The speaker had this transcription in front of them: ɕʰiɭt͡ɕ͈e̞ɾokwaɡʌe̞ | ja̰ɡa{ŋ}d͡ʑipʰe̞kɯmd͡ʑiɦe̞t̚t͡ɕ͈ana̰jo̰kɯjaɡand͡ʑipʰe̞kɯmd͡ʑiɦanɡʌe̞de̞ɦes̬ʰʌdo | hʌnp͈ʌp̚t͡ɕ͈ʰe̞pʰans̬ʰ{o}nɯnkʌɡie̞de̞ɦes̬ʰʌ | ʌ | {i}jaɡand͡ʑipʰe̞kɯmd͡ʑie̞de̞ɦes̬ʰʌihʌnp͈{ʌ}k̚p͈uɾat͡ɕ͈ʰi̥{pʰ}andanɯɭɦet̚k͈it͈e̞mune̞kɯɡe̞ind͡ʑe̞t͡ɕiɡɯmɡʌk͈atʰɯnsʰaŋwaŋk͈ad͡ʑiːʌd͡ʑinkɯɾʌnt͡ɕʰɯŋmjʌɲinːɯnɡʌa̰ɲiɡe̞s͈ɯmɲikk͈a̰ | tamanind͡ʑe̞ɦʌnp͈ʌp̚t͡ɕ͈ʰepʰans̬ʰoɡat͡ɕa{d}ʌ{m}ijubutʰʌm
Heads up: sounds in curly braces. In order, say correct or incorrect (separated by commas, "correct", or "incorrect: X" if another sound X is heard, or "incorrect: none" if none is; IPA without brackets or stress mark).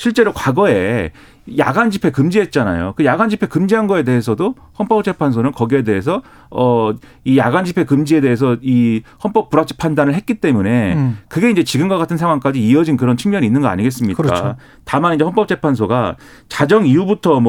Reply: incorrect: n, correct, correct, correct, correct, incorrect: d͡ʑ, incorrect: ŋ